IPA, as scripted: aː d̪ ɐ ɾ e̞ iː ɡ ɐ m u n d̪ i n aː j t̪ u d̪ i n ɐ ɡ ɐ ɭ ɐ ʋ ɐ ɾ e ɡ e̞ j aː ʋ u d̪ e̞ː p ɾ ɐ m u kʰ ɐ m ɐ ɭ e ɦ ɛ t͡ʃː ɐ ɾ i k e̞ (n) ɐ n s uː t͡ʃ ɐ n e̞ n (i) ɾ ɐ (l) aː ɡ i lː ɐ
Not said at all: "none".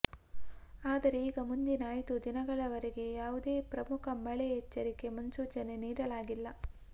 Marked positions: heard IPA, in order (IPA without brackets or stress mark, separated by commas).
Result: m, iː, l